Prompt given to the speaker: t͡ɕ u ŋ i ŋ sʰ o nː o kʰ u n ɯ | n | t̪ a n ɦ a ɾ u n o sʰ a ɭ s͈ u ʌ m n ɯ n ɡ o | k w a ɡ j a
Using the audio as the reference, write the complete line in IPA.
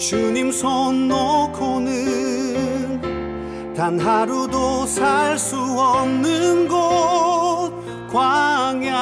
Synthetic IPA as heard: t͡ɕ u ɲ i m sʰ o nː o kʰ o n ɯ | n | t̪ a n ɦ a ɾ u d o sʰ a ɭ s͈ u ʌ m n ɯ n ɡ o | k w a ŋ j a